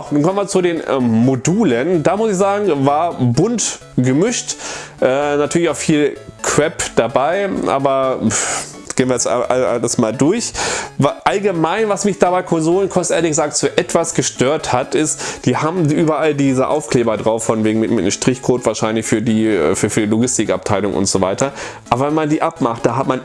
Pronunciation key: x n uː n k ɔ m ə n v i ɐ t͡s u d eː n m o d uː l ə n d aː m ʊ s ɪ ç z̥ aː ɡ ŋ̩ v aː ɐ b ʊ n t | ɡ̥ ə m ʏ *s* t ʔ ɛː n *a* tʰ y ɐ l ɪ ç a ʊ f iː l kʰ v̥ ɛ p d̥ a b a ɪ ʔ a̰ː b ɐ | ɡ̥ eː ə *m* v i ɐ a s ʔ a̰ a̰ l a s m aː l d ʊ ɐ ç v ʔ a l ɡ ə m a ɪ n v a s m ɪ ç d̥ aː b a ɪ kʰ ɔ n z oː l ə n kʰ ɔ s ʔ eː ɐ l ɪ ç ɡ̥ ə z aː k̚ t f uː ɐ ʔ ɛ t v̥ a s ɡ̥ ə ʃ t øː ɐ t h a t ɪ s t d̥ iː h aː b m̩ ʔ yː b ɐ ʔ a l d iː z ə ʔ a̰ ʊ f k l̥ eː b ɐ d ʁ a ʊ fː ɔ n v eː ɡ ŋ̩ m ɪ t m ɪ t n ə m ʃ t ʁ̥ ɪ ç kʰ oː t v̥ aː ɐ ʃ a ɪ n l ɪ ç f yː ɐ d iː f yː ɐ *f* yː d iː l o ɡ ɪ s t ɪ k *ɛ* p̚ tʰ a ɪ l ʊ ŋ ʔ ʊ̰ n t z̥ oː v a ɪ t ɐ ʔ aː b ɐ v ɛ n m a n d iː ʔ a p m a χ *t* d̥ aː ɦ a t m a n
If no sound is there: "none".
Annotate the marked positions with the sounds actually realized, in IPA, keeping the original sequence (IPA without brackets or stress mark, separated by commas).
ʃ, a, n, f, a, t